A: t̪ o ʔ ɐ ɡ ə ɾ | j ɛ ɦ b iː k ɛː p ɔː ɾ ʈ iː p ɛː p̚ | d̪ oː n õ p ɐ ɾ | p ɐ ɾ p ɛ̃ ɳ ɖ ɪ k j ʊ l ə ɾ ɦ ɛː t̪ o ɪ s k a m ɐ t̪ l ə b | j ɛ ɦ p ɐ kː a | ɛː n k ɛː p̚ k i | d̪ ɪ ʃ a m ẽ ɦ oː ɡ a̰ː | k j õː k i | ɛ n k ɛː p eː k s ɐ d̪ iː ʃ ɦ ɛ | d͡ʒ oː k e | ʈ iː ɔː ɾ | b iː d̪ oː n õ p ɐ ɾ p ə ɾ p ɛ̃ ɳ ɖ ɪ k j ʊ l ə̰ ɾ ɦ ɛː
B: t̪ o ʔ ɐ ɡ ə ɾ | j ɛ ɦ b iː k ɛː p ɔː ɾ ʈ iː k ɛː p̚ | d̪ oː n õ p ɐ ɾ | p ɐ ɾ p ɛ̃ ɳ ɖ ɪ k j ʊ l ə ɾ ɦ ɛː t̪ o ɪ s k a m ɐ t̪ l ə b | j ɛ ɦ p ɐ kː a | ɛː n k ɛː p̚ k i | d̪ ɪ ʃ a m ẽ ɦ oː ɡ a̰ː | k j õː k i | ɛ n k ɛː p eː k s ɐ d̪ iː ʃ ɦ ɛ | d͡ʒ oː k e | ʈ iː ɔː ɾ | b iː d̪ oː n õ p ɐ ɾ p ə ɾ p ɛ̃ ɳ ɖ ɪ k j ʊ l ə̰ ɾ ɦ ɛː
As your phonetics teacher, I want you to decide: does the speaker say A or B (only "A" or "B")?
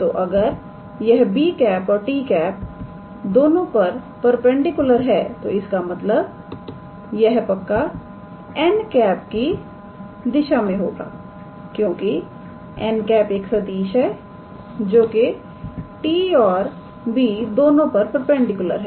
B